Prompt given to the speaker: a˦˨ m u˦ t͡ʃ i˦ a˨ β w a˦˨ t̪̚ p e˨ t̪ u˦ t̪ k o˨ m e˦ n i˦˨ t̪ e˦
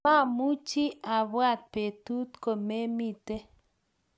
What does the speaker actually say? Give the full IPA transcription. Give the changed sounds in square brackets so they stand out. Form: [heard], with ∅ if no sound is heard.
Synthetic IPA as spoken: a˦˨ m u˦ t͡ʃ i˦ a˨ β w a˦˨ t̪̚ p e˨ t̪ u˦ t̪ k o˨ m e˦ [m] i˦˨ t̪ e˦